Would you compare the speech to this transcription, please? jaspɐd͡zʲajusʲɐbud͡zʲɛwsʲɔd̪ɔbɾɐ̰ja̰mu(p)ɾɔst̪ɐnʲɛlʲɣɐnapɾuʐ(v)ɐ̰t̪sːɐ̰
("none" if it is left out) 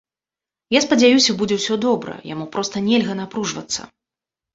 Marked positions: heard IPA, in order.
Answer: p, v

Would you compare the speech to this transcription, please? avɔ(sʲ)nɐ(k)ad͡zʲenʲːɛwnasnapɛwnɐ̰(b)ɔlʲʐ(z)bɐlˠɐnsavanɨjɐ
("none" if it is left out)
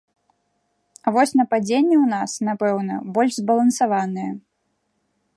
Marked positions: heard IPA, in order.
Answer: sʲ, p, b, z

